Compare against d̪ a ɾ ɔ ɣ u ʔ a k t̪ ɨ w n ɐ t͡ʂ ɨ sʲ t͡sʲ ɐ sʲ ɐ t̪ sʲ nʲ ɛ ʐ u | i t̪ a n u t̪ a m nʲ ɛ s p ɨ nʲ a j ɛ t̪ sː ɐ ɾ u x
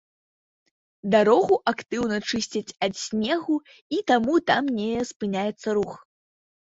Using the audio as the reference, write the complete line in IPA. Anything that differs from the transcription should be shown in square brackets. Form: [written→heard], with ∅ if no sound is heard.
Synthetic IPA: d̪ a ɾ ɔ ɣ u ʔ a k t̪ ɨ w n ɐ t͡ʂ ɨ sʲ t͡sʲ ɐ [sʲ→t͡sʲ] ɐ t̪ sʲ nʲ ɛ [ʐ→ɣ] u | i t̪ a [n→m] u t̪ a m nʲ ɛ s p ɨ nʲ a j ɛ t̪ sː ɐ ɾ u x